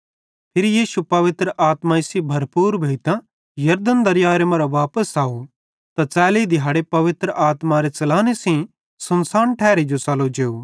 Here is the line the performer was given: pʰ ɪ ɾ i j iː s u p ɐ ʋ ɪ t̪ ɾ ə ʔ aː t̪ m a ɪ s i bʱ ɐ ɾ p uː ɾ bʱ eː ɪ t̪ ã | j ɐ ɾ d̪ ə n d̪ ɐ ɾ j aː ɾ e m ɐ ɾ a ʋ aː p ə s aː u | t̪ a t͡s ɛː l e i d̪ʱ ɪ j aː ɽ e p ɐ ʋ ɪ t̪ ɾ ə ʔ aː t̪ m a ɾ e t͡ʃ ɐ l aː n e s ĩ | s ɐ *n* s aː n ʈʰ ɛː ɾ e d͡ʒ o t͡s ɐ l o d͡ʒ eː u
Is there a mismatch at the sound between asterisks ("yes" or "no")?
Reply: no